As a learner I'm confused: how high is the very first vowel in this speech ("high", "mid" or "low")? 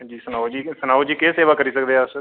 high